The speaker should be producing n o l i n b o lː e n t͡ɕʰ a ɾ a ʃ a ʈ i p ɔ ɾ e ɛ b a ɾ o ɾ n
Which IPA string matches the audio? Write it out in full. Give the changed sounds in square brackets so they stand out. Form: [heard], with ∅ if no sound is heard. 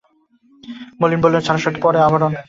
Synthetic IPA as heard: [m] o l i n b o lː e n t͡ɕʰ a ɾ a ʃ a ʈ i p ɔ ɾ e [a] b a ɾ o [∅] n